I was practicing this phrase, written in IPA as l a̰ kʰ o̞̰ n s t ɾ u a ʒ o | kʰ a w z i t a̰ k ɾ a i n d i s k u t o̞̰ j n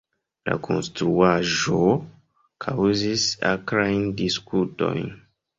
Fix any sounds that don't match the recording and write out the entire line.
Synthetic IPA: l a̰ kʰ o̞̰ n s t ɾ u a ʒ o | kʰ a w z i s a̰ k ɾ a j n d i s k u t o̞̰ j n